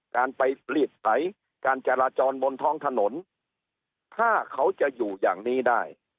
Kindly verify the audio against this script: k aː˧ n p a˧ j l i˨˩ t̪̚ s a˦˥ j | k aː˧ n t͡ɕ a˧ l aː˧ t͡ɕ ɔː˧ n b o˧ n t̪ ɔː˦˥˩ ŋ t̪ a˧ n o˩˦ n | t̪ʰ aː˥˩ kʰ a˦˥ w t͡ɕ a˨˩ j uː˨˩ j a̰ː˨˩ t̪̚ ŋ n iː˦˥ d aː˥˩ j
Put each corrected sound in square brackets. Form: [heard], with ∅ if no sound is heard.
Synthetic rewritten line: k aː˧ n p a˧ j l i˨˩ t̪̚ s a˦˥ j | k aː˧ n t͡ɕ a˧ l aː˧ t͡ɕ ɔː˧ n b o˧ n [t̪ʰ] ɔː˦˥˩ ŋ [t̪ʰ] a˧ n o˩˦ n | t̪ʰ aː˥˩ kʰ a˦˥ w t͡ɕ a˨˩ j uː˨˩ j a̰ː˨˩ [∅] ŋ n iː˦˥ d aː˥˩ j

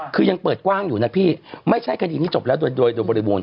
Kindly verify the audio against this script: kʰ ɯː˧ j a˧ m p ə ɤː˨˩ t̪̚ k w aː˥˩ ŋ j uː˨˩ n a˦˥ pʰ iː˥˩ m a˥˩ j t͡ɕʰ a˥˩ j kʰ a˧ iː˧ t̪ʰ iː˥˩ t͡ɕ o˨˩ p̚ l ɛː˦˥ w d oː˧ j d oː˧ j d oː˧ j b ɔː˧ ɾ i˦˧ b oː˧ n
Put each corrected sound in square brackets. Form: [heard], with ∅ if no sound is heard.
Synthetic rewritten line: kʰ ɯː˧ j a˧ [ŋ] p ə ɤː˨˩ t̪̚ k w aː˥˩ ŋ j uː˨˩ n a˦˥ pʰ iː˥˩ m a˥˩ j t͡ɕʰ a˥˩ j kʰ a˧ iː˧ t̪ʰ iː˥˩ t͡ɕ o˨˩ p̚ l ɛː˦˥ w d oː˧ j d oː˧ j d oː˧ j b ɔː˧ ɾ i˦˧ b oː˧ n

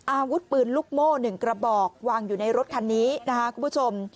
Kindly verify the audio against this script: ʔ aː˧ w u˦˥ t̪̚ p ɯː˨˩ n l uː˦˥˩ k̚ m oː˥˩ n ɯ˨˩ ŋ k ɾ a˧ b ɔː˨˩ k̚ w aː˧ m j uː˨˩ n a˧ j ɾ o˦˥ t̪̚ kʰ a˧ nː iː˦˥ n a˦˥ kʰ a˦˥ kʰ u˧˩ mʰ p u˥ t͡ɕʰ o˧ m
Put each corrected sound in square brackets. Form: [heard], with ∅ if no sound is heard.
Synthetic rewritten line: ʔ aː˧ w u˦˥ t̪̚ p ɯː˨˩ n l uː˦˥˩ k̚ m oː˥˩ n ɯ˨˩ ŋ k ɾ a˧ b ɔː˨˩ k̚ w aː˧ [ŋ] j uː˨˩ n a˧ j ɾ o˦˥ t̪̚ kʰ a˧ nː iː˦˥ n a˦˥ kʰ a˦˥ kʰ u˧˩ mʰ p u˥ t͡ɕʰ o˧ m

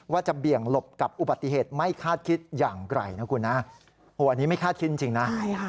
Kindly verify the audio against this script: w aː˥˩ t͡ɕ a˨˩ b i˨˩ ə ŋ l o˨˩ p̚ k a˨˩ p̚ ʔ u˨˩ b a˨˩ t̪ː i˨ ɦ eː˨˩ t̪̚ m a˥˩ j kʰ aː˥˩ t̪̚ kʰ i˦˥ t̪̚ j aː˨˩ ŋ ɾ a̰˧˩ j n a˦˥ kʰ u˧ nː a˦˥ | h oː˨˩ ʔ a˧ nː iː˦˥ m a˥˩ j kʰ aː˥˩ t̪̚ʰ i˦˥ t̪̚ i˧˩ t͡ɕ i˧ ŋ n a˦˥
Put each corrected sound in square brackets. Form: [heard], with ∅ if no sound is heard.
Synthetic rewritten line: w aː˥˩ t͡ɕ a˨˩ b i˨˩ ə ŋ l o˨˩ p̚ k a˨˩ p̚ ʔ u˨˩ b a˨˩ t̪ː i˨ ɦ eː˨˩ t̪̚ m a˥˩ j kʰ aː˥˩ t̪̚ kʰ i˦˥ t̪̚ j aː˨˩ ŋ ɾ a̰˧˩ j n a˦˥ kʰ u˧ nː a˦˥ | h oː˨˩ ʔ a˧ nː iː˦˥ m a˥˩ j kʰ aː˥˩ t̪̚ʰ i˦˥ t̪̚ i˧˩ t͡ɕ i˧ ŋ n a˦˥

